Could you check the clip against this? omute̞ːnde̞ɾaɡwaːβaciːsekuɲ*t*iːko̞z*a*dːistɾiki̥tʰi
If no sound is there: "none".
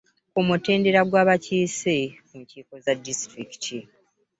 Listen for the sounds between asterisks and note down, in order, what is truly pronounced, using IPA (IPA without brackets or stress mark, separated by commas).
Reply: c, a